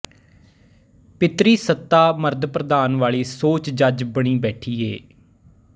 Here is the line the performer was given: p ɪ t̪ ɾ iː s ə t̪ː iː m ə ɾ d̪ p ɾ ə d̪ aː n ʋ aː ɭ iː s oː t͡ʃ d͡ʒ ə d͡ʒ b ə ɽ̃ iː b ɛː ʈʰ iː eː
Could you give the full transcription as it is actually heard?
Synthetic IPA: p ɪ t̪ ɾ iː s ə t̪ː aː m ə ɾ d̪ p ɾ ə d̪ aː n ʋ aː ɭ iː s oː t͡ʃ d͡ʒ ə d͡ʒ b ə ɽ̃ iː b ɛː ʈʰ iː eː

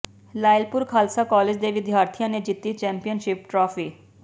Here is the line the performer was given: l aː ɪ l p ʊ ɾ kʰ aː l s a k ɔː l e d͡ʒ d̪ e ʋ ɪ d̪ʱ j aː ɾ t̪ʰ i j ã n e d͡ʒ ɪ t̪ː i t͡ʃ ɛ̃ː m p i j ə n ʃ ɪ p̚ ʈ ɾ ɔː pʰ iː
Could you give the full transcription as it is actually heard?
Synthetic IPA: l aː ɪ l p ʊ ɾ kʰ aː l s a k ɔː l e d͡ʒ d̪ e ʋ ɪ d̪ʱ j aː ɾ t̪ʰ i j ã n e d͡ʒ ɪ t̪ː i t͡ʃ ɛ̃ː m p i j ə n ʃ ɪ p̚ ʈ ɾ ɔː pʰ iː

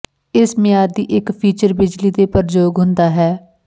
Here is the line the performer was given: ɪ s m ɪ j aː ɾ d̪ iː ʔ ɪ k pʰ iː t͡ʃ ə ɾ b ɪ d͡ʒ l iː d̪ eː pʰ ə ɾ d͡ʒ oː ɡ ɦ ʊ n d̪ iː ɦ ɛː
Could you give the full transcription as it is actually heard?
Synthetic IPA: ɪ s m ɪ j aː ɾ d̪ iː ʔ ɪ k pʰ iː t͡ʃ ə ɾ b ɪ d͡ʒ l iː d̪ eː p ə ɾ d͡ʒ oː ɡ ɦ ʊ n d̪ aː ɦ ɛː

